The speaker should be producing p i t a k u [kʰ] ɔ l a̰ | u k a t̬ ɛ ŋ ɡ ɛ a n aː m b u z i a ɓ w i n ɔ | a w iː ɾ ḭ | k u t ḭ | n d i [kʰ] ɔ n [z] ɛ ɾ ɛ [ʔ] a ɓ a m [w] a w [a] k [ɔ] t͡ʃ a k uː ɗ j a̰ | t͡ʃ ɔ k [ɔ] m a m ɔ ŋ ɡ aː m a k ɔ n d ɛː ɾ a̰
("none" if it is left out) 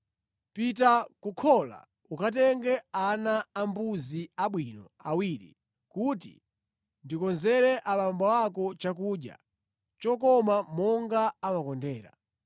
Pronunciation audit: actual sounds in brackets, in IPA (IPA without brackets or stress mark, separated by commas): kʰ, k, z, ʔ, b, a, ɔ, ɔ